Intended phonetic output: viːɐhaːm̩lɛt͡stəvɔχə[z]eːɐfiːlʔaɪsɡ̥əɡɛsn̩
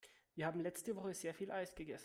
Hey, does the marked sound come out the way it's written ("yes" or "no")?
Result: yes